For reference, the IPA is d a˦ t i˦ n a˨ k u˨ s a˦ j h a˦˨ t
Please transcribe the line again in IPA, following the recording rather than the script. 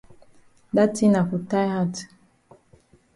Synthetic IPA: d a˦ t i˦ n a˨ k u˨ t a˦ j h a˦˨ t